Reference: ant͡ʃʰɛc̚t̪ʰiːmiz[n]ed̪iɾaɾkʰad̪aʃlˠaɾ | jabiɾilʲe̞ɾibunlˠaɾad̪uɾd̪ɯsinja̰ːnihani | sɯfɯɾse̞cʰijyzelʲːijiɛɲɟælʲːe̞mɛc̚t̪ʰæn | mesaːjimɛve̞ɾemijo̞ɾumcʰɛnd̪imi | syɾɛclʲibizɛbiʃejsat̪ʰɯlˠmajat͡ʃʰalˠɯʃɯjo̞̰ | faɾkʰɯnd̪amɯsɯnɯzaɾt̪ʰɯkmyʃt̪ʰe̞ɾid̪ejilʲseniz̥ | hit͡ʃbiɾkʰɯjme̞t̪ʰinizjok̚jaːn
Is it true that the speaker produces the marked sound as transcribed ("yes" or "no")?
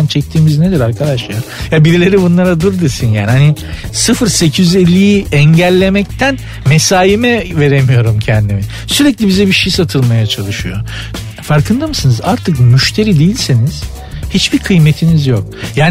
yes